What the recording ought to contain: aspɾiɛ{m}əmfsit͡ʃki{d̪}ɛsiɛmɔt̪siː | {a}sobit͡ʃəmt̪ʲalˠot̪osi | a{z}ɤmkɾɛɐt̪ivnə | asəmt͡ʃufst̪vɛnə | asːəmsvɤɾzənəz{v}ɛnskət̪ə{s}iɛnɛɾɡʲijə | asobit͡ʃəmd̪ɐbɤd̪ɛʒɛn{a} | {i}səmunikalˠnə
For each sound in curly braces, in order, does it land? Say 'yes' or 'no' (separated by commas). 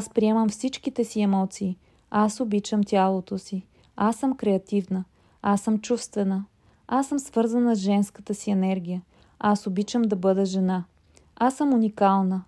yes, no, yes, no, no, yes, yes, no